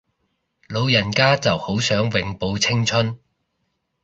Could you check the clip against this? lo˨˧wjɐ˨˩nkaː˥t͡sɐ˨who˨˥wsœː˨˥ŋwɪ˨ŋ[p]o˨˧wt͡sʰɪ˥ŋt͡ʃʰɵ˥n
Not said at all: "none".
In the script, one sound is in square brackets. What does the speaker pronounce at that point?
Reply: p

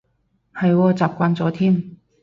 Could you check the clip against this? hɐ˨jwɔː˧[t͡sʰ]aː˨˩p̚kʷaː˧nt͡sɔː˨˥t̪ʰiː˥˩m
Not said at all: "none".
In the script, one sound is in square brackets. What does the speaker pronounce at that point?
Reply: t͡s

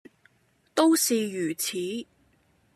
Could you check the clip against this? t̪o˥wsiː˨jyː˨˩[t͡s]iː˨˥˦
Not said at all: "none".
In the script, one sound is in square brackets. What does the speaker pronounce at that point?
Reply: t͡sʰ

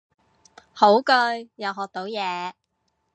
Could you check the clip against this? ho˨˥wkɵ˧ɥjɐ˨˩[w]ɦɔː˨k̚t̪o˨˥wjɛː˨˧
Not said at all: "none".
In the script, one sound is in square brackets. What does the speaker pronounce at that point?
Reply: w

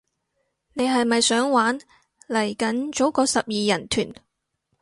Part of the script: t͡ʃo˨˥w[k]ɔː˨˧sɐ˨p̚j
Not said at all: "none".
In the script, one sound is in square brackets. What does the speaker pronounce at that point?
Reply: k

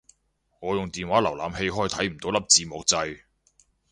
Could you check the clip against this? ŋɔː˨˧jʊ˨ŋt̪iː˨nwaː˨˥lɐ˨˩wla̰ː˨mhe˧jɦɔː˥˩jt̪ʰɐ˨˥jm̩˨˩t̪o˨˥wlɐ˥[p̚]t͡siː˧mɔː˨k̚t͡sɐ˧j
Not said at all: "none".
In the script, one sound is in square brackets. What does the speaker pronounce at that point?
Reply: p̚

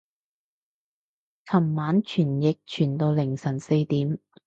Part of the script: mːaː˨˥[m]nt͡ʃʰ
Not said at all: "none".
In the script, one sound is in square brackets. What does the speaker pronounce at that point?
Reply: none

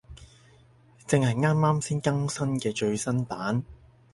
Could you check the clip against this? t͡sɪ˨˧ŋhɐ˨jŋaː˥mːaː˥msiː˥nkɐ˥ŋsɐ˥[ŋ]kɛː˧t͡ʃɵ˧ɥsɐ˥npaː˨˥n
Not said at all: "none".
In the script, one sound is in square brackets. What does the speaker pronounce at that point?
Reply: n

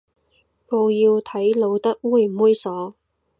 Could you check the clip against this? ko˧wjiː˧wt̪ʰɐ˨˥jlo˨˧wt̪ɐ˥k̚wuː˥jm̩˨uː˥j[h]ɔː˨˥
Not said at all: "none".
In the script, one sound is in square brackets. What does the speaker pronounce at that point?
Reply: s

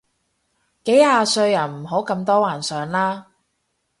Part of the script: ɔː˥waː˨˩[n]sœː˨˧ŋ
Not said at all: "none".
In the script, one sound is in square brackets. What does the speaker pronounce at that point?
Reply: n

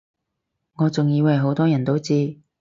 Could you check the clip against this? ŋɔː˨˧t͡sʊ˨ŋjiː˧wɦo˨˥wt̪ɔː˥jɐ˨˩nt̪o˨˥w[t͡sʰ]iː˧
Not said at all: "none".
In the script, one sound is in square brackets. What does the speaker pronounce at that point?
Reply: t͡s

